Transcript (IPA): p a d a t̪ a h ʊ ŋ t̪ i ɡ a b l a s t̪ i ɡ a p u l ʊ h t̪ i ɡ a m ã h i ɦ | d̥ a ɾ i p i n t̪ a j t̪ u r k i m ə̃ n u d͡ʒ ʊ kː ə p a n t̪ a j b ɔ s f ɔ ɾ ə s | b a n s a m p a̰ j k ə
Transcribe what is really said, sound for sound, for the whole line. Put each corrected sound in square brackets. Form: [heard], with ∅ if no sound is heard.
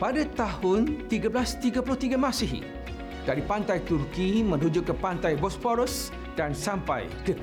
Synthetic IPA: p a d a t̪ a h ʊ [n] t̪ i ɡ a b l a s t̪ i ɡ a p u l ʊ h t̪ i ɡ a m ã [s] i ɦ | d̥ a ɾ i p [a] n t̪ a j t̪ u r k i m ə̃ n u d͡ʒ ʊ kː ə p a n t̪ a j b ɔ s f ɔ ɾ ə s | [d] a n s a m p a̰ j k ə